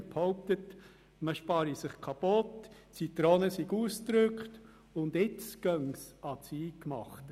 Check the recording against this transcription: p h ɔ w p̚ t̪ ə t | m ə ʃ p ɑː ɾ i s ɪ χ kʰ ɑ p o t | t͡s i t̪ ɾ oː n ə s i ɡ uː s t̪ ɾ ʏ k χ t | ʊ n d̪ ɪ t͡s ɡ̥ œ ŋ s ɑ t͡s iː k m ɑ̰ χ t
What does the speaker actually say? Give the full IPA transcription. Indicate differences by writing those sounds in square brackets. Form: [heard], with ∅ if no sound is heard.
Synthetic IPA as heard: p h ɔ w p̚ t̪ ə t | m ə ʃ p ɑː ɾ i s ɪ χ kʰ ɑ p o t | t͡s i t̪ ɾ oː n ə s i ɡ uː s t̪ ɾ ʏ k χ t | ʊ n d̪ ɪ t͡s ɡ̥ œ ŋ s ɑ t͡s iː k m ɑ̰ χ t

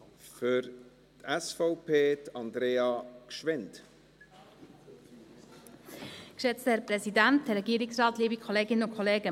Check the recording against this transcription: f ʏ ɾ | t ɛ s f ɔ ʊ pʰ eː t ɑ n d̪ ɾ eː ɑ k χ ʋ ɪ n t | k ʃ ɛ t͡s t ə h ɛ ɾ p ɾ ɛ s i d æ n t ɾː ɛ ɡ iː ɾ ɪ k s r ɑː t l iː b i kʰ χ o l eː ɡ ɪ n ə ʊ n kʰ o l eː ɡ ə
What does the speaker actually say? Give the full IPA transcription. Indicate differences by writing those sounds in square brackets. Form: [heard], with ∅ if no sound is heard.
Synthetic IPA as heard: f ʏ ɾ | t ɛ s f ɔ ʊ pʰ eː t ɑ n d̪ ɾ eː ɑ k [ʃ] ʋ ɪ n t | k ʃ ɛ t͡s t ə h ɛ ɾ p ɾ ɛ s i d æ n t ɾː ɛ ɡ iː ɾ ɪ k s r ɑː t l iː b i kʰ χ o l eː ɡ ɪ n ə ʊ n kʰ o l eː ɡ ə

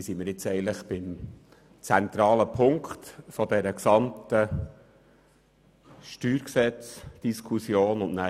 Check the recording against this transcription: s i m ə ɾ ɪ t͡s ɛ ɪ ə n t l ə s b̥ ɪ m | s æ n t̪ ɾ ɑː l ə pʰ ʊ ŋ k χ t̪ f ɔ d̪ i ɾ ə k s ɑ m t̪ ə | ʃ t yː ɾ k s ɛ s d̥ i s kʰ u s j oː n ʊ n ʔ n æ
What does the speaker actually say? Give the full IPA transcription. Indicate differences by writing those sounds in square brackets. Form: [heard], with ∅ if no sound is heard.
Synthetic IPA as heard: s i m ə ɾ ɪ t͡s ɛ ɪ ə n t l ə [χ] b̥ ɪ m | [t͡s] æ n t̪ ɾ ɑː l ə pʰ ʊ ŋ k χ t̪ f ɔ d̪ [ɛ] ɾ ə k s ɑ m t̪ ə | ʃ t yː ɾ k s ɛ [t͡s] d̥ i s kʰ u s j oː n ʊ n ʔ n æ

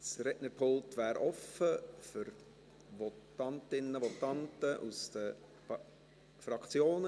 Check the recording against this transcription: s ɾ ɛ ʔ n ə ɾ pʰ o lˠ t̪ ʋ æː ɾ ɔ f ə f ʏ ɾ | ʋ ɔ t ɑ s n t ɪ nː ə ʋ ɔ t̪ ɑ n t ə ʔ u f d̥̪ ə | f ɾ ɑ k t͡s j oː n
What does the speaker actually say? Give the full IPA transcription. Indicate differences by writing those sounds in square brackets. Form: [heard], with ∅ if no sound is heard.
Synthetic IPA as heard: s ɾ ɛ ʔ n ə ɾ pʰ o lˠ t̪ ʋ æː ɾ ɔ f ə f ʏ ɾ | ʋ ɔ t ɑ [∅] n t ɪ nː ə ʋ ɔ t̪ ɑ n t ə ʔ u [s] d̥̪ ə | f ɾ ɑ k t͡s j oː n

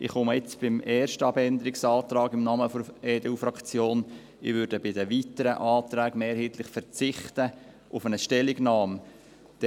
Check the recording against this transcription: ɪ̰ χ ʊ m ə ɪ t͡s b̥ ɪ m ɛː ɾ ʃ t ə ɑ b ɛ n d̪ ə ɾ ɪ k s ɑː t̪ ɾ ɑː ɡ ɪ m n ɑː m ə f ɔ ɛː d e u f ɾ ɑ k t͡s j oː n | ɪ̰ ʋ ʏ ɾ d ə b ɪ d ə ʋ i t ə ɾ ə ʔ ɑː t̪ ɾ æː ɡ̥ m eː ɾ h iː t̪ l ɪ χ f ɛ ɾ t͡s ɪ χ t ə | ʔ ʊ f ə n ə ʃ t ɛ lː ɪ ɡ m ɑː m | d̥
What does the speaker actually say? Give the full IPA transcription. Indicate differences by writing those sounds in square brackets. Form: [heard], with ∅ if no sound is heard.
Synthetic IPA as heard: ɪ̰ χ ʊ m ə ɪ t͡s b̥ ɪ m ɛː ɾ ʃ t ə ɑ b ɛ n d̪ ə ɾ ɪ k s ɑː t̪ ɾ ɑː ɡ ɪ m n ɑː m ə f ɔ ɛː d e u f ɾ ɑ k t͡s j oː n | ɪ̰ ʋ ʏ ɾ d ə b ɪ d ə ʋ i t ə ɾ ə ʔ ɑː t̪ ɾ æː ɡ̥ m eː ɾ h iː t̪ l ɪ χ f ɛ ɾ t͡s ɪ χ t ə | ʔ ʊ f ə n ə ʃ t ɛ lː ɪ ɡ [n] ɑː m | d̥

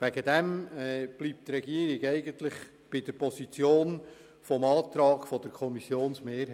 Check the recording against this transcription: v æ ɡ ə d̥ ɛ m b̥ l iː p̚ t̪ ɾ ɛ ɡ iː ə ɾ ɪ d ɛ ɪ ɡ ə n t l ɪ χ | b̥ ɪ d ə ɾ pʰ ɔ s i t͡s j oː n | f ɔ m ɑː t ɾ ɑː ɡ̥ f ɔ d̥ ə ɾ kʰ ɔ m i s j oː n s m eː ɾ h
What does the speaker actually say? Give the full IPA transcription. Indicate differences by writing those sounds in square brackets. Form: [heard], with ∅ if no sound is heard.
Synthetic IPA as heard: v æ ɡ ə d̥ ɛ m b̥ l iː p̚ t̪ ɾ ɛ ɡ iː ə ɾ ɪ [ɡ] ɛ ɪ ɡ ə n t l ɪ χ | b̥ ɪ d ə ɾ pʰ ɔ s i t͡s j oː n | f ɔ m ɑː t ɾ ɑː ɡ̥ f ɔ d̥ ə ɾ kʰ ɔ m i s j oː n s m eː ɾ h

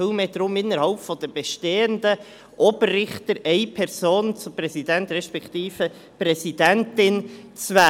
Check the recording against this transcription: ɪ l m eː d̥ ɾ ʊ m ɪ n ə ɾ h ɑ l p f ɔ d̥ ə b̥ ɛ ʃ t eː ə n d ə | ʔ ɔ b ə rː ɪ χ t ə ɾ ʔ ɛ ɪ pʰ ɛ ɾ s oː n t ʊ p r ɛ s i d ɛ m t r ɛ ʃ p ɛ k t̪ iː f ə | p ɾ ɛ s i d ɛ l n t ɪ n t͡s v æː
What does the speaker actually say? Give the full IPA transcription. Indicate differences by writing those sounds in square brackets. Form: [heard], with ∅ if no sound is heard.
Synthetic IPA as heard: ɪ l m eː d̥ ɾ ʊ m ɪ n ə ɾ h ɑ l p f ɔ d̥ ə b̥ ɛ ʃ t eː ə n d ə | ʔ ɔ b ə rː ɪ χ t ə ɾ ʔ ɛ ɪ pʰ ɛ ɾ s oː n [t͡s] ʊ p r ɛ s i d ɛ [n] t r ɛ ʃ p ɛ k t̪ iː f ə | p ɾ ɛ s i d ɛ [∅] n t ɪ n t͡s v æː

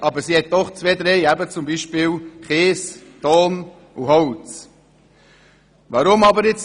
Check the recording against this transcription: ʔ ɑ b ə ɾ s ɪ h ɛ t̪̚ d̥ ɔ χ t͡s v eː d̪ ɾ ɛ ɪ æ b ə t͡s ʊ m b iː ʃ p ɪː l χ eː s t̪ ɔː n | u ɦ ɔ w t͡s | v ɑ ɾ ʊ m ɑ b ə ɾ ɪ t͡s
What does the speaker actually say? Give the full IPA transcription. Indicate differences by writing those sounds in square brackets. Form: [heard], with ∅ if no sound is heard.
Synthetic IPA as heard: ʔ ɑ b ə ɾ s [i] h ɛ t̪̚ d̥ ɔ χ t͡s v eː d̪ ɾ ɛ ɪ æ b ə t͡s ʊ m b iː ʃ p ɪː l χ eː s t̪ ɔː n | u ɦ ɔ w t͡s | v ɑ ɾ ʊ m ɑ b ə ɾ ɪ t͡s

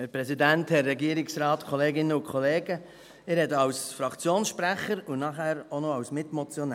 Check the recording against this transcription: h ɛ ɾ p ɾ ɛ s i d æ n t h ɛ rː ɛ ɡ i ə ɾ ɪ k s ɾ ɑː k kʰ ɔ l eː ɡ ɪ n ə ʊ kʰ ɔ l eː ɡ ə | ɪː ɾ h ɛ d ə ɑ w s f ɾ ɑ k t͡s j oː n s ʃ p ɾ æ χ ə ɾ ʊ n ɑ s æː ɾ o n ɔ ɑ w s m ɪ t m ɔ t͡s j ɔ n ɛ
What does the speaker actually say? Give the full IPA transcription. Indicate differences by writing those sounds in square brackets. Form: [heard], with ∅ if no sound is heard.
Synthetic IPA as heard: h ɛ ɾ p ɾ ɛ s i d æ n t h ɛ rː ɛ ɡ i ə ɾ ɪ k s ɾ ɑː [t] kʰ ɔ l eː ɡ ɪ n ə ʊ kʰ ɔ l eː ɡ ə | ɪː ɾ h ɛ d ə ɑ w s f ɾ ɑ k t͡s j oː n s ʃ p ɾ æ χ ə ɾ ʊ n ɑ [χ] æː ɾ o n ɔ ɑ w s m ɪ t m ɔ t͡s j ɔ n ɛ

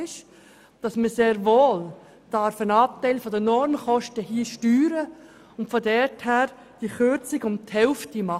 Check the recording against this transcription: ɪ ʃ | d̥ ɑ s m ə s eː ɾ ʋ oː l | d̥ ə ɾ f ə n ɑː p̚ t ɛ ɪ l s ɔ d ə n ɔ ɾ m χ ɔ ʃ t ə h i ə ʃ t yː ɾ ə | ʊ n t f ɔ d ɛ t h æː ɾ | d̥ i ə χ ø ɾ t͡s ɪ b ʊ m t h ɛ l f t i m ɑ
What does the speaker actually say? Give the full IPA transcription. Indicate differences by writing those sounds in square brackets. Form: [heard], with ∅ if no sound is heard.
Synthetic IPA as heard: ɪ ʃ | d̥ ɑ s m ə s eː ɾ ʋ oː l | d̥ [ɑ] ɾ f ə n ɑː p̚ t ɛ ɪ l [f] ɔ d ə n ɔ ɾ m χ ɔ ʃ t ə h i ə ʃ t yː ɾ ə | ʊ n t f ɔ d ɛ t h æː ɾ | d̥ i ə χ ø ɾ t͡s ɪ [ɡ] ʊ m t h ɛ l f t i m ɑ

